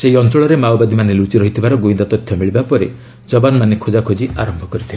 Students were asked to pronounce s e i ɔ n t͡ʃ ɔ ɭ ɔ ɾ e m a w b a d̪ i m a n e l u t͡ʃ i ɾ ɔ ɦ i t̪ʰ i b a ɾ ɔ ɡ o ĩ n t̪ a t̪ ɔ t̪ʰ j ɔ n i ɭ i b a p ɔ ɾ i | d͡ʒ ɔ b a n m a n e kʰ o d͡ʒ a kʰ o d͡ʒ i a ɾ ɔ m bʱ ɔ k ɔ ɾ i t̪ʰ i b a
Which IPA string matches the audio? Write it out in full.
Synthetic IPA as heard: s e i ɔ n t͡ʃ ɔ ɭ ɔ ɾ e m a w b a d̪ i m a n e l u t͡ʃ i ɾ ɔ ɦ i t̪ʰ i b a ɾ ɔ ɡ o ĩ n d̪ a t̪ ɔ t̪ʰ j ɔ m i ɭ i b a p ɔ ɾ e | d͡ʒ ɔ b a n m a n e kʰ o d͡ʒ a kʰ o d͡ʒ i a ɾ ɔ m bʱ ɔ k ɔ ɾ i t̪ʰ i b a